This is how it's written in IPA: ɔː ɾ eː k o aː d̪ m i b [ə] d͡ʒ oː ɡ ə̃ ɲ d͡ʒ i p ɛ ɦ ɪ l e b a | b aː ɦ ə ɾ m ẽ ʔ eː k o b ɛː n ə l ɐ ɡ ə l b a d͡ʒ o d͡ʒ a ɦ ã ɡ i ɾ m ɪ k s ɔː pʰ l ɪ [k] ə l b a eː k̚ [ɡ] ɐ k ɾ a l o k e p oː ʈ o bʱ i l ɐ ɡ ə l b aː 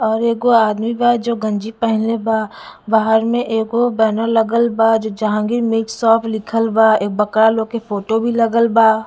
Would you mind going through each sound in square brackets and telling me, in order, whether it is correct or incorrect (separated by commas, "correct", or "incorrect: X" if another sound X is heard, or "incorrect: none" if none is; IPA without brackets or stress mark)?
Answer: incorrect: a, incorrect: kʰ, incorrect: b